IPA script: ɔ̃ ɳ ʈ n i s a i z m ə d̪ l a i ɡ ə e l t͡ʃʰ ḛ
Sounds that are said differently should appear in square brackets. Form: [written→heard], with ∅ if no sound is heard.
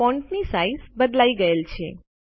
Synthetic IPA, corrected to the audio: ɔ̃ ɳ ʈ n i s a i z [m→b] ə d̪ l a i ɡ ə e l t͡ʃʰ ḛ